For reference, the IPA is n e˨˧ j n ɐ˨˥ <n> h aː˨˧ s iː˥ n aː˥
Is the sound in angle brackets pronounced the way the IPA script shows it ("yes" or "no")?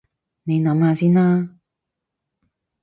no